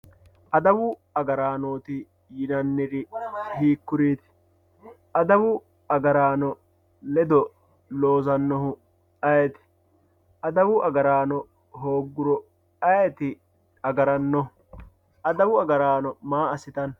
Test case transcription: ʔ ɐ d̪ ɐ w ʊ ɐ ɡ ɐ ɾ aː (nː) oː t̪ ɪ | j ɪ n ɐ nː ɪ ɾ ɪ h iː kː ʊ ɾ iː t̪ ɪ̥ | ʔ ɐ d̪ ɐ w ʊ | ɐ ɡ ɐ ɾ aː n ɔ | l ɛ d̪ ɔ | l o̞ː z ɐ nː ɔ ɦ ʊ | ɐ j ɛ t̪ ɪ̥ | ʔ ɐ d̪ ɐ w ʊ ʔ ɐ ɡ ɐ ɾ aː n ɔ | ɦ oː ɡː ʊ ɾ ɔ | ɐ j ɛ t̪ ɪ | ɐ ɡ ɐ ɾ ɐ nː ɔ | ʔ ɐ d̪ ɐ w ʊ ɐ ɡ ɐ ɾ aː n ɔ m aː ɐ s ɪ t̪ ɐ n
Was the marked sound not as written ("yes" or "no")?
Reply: yes